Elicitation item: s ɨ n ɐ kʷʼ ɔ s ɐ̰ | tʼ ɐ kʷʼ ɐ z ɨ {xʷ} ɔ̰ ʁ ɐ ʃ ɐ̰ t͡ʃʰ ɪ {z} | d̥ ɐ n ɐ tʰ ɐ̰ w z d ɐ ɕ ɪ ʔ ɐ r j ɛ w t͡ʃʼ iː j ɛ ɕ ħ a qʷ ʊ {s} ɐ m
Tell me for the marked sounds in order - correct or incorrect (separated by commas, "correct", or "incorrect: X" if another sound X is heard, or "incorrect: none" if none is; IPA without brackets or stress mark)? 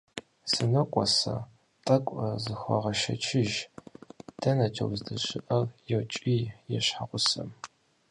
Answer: correct, incorrect: ʒ, correct